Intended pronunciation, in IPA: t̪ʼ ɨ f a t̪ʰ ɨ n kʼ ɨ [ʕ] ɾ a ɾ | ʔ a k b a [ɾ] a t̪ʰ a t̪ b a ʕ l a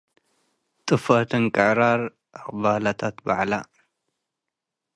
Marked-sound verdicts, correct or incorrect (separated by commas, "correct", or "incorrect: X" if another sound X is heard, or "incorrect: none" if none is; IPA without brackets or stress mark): correct, incorrect: l